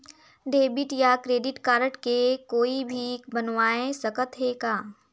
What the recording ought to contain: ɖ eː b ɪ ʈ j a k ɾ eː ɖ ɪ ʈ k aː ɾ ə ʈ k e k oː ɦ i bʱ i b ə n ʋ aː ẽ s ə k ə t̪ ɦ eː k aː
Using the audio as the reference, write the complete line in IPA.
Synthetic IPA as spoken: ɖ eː b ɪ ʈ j a k ɾ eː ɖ ɪ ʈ k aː ɾ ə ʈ k e k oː i bʱ i b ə n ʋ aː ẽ s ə k ə t̪ ɦ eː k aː